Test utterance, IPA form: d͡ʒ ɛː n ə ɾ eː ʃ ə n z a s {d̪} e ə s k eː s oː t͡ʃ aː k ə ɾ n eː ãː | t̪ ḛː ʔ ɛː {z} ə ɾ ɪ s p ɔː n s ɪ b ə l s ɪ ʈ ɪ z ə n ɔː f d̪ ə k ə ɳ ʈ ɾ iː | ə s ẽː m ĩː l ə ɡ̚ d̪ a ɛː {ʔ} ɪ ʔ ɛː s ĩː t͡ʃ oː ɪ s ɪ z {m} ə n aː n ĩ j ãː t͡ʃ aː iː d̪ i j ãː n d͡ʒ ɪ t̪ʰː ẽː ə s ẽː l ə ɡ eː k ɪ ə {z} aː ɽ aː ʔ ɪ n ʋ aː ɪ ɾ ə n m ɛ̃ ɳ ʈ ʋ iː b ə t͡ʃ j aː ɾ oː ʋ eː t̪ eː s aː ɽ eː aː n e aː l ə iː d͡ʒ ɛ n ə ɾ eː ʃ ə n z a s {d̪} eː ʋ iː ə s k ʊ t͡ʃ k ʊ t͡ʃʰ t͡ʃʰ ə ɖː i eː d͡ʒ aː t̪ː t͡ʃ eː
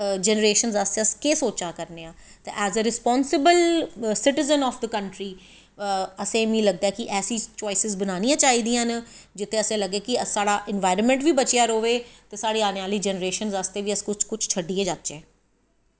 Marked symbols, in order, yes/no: no, yes, no, no, no, no

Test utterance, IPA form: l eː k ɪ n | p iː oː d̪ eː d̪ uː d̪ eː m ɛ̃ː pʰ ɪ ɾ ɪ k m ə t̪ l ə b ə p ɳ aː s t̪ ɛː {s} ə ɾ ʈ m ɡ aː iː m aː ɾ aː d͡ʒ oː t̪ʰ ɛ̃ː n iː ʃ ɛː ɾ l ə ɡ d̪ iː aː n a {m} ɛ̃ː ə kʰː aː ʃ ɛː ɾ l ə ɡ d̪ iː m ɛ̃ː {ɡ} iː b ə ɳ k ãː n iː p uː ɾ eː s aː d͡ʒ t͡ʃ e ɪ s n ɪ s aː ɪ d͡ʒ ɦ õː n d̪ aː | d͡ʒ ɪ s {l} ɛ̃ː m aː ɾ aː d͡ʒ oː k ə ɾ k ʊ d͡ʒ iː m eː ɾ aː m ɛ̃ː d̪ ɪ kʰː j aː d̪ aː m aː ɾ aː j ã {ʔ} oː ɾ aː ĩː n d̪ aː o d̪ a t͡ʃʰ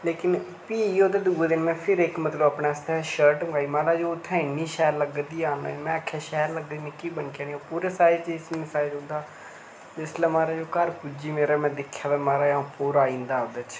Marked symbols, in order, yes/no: no, yes, no, yes, no

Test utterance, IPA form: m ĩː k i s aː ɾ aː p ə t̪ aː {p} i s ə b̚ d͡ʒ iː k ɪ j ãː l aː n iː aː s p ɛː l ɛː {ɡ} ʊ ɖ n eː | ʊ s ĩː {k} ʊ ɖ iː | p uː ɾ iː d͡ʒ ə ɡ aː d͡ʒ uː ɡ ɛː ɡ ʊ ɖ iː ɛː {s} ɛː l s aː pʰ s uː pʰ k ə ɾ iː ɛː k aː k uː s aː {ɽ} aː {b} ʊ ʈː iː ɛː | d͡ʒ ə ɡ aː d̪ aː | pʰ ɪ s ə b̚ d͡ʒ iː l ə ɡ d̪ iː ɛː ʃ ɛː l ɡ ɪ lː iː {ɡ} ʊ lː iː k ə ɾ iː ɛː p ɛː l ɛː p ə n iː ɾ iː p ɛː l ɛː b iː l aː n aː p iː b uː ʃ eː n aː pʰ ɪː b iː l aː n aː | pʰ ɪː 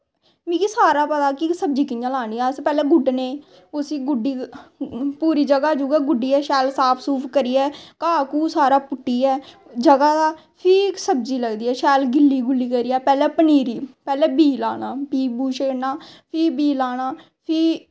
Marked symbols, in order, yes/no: no, yes, no, no, no, no, yes

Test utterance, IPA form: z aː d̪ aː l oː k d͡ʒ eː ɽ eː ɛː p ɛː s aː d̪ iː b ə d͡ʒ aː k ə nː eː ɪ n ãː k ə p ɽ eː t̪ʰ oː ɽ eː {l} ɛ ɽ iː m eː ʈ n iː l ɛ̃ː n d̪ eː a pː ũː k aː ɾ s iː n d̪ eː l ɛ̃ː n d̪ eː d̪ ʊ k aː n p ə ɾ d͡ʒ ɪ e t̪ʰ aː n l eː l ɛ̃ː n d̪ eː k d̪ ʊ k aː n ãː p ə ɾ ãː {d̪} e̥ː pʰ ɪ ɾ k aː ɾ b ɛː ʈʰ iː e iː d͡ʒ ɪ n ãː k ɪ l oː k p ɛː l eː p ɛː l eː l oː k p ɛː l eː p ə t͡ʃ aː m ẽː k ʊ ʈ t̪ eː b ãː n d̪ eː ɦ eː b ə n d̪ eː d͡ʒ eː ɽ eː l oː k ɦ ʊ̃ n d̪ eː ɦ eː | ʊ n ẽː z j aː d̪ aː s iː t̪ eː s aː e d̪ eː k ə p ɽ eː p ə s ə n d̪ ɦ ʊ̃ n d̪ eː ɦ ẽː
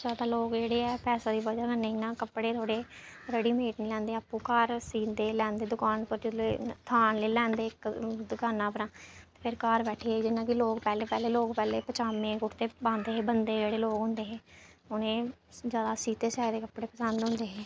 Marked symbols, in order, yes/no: no, no

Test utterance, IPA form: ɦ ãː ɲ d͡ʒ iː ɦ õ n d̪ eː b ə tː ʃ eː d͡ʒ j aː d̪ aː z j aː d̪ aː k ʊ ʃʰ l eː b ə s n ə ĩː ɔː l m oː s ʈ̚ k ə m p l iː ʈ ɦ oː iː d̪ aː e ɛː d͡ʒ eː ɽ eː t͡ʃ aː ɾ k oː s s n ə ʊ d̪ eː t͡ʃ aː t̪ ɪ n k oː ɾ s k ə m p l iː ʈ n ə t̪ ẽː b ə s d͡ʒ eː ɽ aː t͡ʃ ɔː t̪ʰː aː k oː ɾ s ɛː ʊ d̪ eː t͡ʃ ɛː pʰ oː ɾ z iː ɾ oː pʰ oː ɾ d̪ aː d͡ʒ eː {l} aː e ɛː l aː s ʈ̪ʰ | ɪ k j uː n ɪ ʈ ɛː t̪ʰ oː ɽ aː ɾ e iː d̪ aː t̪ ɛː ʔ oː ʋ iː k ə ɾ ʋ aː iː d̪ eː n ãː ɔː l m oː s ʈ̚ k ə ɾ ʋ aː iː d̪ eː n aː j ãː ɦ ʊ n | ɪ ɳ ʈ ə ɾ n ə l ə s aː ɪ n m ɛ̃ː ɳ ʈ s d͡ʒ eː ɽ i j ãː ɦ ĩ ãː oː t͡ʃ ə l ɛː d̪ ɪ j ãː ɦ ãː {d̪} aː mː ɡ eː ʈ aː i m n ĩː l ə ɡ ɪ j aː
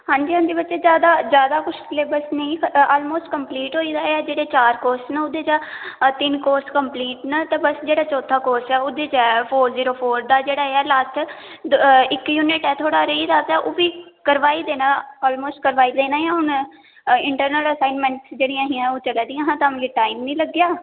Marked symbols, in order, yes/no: no, no

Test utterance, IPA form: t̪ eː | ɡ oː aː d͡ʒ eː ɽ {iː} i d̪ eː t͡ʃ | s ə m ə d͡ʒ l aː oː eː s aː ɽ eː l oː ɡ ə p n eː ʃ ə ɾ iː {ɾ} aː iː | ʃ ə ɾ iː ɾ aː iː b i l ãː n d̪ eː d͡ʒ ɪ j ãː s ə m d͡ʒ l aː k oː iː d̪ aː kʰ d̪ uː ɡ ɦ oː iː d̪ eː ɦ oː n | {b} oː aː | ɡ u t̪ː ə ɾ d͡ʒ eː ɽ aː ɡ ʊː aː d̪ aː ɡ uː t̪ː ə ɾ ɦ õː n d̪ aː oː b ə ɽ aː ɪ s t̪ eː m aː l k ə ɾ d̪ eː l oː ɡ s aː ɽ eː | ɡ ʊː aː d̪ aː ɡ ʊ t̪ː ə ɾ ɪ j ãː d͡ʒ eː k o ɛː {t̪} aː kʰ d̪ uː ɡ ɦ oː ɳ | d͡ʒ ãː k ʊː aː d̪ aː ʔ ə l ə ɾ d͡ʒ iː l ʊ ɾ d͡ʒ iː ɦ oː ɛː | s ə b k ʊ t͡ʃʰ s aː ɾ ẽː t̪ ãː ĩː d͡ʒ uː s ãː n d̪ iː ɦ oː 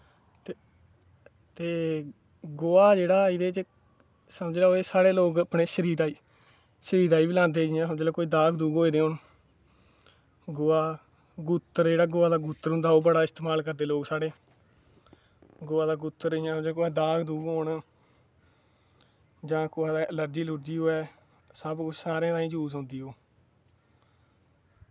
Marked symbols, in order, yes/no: no, yes, no, no

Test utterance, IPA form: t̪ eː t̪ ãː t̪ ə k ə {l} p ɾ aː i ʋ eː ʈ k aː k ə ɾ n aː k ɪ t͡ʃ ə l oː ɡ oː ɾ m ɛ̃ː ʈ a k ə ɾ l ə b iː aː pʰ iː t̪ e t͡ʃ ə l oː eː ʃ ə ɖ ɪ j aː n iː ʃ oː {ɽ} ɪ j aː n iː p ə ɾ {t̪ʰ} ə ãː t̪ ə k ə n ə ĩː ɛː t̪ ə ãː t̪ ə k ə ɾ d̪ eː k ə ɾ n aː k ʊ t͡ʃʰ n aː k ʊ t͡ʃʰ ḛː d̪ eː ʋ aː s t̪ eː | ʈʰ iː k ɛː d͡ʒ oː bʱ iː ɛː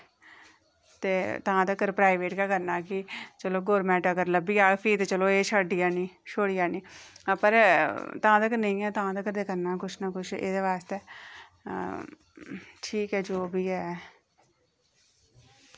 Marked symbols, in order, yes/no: no, yes, no

